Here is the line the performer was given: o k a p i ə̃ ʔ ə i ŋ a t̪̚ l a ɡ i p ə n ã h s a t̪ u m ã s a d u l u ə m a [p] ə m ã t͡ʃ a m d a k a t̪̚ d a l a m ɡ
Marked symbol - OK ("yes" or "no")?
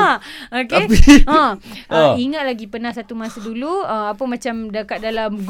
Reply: yes